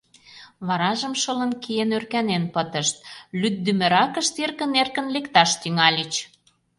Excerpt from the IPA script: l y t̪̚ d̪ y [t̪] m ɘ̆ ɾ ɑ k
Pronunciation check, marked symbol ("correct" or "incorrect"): incorrect